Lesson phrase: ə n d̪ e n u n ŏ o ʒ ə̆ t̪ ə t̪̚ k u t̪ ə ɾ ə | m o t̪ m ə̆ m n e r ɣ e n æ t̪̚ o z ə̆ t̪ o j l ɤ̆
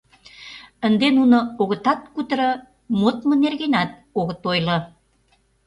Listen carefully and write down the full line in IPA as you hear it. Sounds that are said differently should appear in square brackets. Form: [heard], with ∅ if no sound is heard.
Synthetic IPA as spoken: ə n d̪ e n u n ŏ o [ɣ] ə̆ t̪ [ɑ] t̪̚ k u t̪ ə ɾ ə | m o t̪ m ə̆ [∅] n e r ɣ e n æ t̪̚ o [ɣ] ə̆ t̪ o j l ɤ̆